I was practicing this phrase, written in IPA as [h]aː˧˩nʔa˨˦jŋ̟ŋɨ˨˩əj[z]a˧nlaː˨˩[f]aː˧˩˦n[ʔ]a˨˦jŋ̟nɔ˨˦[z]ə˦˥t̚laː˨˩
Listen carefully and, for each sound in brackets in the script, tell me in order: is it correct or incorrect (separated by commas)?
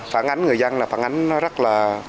incorrect, correct, correct, correct, correct